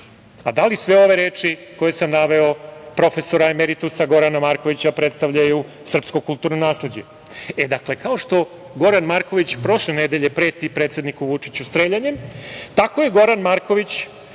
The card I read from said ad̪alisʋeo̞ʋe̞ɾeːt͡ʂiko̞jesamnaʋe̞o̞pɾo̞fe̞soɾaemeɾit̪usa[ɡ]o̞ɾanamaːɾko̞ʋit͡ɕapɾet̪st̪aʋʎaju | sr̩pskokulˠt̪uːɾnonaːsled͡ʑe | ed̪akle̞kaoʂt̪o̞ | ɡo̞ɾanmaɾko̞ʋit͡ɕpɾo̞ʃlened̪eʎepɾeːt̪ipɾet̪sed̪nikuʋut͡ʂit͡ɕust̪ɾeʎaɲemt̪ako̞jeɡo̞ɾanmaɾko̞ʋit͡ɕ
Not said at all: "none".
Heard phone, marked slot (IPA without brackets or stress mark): ɡ